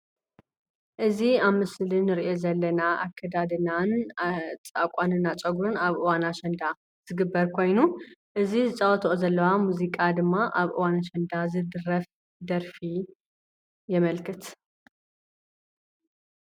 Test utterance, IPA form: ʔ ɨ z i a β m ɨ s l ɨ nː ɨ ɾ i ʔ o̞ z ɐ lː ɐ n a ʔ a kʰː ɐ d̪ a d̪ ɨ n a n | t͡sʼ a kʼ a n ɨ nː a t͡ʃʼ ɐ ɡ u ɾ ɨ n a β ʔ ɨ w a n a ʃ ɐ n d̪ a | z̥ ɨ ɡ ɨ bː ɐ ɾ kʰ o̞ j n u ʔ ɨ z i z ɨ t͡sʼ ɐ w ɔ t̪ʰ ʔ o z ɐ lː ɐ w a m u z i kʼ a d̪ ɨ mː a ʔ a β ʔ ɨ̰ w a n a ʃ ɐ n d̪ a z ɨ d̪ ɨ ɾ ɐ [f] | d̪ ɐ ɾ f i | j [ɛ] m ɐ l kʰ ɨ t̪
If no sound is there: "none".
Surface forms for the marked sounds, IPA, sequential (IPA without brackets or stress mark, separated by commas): f, ɛ